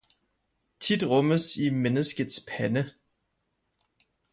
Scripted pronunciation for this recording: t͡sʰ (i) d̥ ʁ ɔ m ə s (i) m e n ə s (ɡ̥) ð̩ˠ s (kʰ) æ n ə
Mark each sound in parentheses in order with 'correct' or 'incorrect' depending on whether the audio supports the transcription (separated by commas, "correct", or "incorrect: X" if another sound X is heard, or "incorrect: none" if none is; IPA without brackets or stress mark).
correct, correct, correct, incorrect: pʰ